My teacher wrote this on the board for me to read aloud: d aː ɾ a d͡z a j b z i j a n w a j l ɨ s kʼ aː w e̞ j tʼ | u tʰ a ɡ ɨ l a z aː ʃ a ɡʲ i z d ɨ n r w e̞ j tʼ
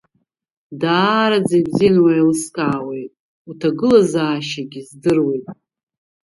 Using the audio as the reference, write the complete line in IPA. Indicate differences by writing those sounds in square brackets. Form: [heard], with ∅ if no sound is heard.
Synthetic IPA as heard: d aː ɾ a d͡z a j b z i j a n w a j l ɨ s kʼ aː w e̞ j tʼ | u tʰ a ɡ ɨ l a z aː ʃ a ɡʲ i z d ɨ [∅] r w e̞ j tʼ

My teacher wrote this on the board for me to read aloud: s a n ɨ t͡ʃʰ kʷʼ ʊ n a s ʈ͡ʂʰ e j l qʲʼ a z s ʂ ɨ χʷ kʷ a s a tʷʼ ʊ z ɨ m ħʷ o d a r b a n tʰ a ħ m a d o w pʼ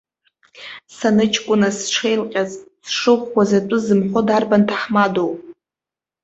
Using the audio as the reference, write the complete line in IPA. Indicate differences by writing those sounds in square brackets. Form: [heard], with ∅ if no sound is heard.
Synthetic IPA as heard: s a n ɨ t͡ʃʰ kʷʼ ʊ n a s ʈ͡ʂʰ e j l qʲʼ a z s ʂ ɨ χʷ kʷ a [z] a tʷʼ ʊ z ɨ m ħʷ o d a r b a n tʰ a ħ m a d o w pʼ

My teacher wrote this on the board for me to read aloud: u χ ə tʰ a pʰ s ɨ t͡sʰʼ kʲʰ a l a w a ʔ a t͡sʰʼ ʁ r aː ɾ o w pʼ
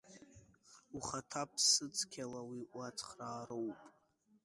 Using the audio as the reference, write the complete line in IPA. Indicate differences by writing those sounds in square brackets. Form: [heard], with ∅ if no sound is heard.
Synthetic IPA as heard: u χ [a] tʰ a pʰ s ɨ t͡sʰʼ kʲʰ a l a w [i] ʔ a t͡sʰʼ [χ] r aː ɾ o w pʼ

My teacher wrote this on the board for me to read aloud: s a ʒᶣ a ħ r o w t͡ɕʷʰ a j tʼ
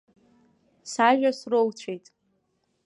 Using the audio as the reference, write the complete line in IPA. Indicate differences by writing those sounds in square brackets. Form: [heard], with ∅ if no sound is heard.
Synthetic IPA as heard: s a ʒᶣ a [s] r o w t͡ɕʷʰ [e] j tʼ

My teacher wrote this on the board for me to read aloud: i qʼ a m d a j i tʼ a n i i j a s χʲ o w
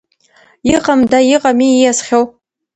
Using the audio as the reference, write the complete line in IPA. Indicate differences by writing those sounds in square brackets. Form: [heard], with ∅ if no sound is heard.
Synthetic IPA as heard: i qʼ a m d a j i [qʼ] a [m] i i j a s χʲ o w

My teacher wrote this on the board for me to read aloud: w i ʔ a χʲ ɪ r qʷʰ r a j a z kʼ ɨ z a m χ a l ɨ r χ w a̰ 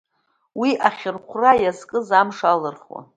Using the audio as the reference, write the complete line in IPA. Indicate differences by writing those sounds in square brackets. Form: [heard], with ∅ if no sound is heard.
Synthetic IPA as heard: w i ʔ a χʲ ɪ r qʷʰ r a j a z kʼ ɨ z a m [ʂ] a l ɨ r χ w a̰

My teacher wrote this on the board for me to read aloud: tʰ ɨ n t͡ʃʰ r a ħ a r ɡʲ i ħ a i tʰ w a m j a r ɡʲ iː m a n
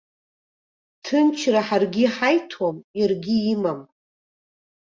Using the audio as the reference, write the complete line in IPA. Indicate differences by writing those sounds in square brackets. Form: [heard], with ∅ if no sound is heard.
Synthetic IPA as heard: tʰ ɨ n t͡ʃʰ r a ħ a r ɡʲ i ħ a [j] tʰ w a m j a r ɡʲ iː m a [m]

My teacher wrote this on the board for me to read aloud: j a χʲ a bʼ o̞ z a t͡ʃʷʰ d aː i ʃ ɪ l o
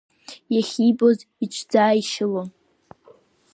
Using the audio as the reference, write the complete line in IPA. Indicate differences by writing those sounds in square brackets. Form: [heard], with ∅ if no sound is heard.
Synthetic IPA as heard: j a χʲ [i] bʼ o̞ z [i] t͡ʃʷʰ [d͡z] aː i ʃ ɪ l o

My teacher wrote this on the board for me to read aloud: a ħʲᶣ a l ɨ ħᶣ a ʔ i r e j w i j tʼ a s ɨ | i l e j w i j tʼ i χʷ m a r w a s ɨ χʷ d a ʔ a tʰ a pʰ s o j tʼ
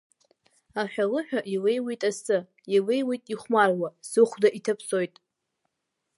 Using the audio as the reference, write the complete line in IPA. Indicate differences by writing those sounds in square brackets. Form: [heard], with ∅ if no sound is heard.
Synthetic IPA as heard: a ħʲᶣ a l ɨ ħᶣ a ʔ i [l] e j w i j tʼ a s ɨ | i l e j w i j tʼ i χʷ m a r w a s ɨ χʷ d a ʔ [i] tʰ a pʰ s o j tʼ

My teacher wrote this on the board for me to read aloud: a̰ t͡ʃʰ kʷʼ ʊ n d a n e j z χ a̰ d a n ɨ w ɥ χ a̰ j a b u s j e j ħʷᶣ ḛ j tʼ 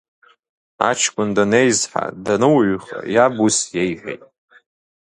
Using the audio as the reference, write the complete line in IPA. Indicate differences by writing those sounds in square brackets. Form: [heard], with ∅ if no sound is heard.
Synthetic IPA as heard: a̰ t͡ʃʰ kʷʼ ʊ n d a n e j z [ħ] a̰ d a n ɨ w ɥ χ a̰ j a b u s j e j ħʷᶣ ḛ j tʼ

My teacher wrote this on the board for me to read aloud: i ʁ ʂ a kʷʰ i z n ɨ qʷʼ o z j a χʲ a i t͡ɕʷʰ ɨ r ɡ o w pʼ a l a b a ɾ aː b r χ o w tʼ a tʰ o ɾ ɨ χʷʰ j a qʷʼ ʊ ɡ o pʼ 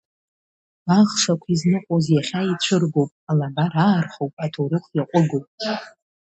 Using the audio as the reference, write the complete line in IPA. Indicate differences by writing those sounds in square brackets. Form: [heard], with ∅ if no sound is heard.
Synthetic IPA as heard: [a] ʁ ʂ a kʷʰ i z n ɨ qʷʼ o z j a χʲ a i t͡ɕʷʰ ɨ r ɡ o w pʼ a l a b a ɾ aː [∅] r χ o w [pʼ] a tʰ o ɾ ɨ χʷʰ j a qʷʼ ʊ ɡ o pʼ

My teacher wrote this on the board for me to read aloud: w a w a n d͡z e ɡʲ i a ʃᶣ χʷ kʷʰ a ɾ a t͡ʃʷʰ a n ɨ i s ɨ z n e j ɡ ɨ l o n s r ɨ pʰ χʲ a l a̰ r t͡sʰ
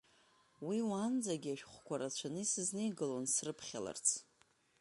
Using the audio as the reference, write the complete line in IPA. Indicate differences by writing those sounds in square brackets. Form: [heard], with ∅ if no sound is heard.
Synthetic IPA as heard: w [i] w a n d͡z [a] ɡʲ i a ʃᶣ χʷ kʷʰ a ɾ a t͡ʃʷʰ a n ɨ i s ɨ z n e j ɡ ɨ l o n s r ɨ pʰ χʲ a l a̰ r t͡sʰ

